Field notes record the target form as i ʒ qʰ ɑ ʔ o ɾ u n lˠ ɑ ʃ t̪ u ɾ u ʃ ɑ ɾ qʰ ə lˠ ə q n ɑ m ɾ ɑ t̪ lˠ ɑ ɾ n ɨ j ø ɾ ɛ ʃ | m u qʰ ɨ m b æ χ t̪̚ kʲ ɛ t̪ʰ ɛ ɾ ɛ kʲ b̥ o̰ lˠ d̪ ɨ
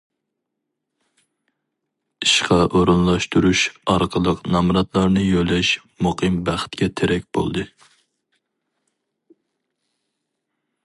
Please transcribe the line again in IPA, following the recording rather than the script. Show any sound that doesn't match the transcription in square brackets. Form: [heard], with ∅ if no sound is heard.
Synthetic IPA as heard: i [ʃ] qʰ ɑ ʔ o ɾ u n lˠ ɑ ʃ t̪ u ɾ u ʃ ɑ ɾ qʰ ə lˠ ə q n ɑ m ɾ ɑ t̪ lˠ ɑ ɾ n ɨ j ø [l] ɛ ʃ | m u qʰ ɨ m b æ χ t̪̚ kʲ ɛ t̪ʰ [e] ɾ ɛ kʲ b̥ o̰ lˠ d̪ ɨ